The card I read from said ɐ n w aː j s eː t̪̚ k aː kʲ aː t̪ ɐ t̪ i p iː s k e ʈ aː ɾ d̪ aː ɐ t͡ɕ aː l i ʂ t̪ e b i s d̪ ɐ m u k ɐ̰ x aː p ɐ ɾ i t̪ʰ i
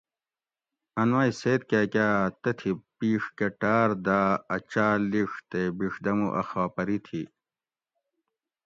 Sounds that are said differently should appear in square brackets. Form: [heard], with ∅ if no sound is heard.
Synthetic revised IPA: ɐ n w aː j s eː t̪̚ k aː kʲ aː t̪ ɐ [t̪ʰ] i p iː [ʂ] k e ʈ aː ɾ d̪ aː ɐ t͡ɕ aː l i ʂ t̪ e b i [ʂ] d̪ ɐ m u [ʔ] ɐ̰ x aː p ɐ ɾ i t̪ʰ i